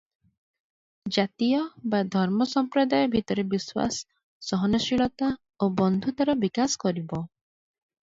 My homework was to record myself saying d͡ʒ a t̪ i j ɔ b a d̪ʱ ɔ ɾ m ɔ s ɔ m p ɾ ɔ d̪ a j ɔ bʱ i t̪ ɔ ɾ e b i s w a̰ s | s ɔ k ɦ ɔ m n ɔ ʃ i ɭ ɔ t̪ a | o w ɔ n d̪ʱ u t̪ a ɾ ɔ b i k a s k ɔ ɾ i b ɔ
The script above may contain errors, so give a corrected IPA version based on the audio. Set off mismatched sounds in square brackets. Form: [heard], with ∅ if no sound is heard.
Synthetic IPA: d͡ʒ a t̪ i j ɔ b a d̪ʱ ɔ ɾ m ɔ s ɔ m p ɾ ɔ d̪ a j ɔ bʱ i t̪ ɔ ɾ e b i s w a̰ s | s ɔ [∅] ɦ ɔ [∅] n ɔ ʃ i ɭ ɔ t̪ a | o [b] ɔ n d̪ʱ u t̪ a ɾ ɔ b i k a s k ɔ ɾ i b ɔ

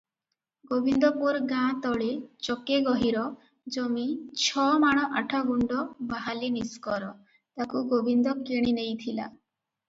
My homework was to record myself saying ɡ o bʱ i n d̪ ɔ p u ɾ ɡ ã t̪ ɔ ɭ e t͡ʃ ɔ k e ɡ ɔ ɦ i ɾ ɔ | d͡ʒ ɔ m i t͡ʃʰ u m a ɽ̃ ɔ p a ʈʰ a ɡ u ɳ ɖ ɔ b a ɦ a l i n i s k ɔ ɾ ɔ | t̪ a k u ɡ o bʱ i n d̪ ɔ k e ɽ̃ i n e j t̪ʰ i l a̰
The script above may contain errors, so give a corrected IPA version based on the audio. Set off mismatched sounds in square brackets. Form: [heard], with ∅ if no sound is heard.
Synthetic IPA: ɡ o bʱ i n d̪ ɔ p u ɾ ɡ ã t̪ ɔ ɭ e t͡ʃ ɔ k e ɡ ɔ ɦ i ɾ ɔ | d͡ʒ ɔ m i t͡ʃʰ [ɔ] m a ɽ̃ ɔ [ʔ] a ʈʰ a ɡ u ɳ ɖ ɔ b a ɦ a l i n i s k ɔ ɾ ɔ | t̪ a k u ɡ o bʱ i n d̪ ɔ k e ɽ̃ i n e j t̪ʰ i l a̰

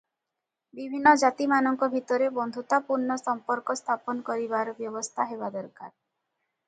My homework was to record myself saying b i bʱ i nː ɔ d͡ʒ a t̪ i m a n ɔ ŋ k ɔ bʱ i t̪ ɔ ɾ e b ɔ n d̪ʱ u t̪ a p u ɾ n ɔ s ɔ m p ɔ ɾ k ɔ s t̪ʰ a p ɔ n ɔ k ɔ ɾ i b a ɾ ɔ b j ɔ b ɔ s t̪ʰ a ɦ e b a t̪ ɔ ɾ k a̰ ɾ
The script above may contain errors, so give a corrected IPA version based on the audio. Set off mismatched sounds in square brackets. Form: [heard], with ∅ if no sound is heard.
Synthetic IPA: b i bʱ i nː ɔ d͡ʒ a t̪ i m a n ɔ ŋ k ɔ bʱ i t̪ ɔ ɾ e b ɔ n d̪ʱ u t̪ a p u ɾ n ɔ s ɔ m p ɔ ɾ k ɔ s t̪ʰ a p ɔ n ɔ k ɔ ɾ i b a ɾ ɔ b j ɔ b ɔ s t̪ʰ a ɦ e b a [d̪] ɔ ɾ k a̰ ɾ

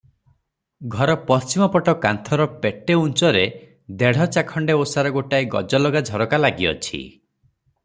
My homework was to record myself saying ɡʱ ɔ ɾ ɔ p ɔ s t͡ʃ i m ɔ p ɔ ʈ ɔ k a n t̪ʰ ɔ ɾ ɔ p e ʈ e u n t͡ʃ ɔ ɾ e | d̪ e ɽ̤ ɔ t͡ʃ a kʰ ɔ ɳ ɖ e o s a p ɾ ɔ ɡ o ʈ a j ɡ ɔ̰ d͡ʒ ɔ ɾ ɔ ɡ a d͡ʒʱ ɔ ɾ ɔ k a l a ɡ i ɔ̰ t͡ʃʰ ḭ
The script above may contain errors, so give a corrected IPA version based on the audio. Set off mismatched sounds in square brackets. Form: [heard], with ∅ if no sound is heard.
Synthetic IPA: ɡʱ ɔ ɾ ɔ p ɔ s t͡ʃ i m ɔ p ɔ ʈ ɔ k a n t̪ʰ ɔ ɾ ɔ p e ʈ e u n t͡ʃ ɔ ɾ e | d̪ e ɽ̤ ɔ t͡ʃ a kʰ ɔ ɳ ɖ e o s a [∅] ɾ ɔ ɡ o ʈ a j ɡ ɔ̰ d͡ʒ ɔ [l] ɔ ɡ a d͡ʒʱ ɔ ɾ ɔ k a l a ɡ i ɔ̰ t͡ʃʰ ḭ

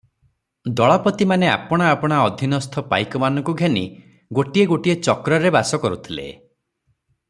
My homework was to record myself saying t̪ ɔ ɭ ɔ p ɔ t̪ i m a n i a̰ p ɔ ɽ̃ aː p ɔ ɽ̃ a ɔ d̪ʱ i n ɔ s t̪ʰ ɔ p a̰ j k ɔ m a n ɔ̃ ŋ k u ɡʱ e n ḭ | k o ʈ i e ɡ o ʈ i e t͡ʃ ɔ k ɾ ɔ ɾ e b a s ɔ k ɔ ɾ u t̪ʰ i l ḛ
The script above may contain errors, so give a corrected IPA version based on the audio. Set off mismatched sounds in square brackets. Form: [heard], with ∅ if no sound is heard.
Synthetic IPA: [d̪] ɔ ɭ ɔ p ɔ t̪ i m a n [e] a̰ p ɔ ɽ̃ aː p ɔ ɽ̃ a ɔ d̪ʱ i n ɔ s t̪ʰ ɔ p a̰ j k ɔ m a n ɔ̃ ŋ k u ɡʱ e n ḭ | [ɡ] o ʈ i e ɡ o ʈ i e t͡ʃ ɔ k ɾ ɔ ɾ e b a s ɔ k ɔ ɾ u t̪ʰ i l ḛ

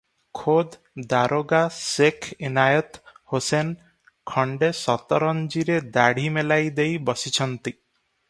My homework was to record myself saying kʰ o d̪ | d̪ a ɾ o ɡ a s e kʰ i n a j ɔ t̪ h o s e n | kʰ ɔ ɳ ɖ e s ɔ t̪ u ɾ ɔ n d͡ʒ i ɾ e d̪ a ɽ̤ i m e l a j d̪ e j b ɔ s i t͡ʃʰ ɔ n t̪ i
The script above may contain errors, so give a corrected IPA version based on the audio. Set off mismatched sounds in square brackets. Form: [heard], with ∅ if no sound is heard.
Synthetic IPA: kʰ o d̪ | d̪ a ɾ o ɡ a s e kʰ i n a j ɔ t̪ h o s e n | kʰ ɔ ɳ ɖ e s ɔ t̪ [ɔ] ɾ ɔ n d͡ʒ i ɾ e d̪ a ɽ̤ i m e l a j d̪ e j b ɔ s i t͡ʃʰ ɔ n t̪ i

